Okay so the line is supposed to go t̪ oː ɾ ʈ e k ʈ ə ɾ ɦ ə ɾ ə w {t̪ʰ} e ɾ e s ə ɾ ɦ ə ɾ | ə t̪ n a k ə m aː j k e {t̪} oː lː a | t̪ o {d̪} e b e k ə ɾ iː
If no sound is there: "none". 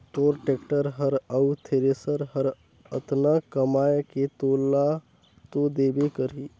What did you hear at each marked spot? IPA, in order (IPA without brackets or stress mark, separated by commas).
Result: t̪ʰ, t̪, d̪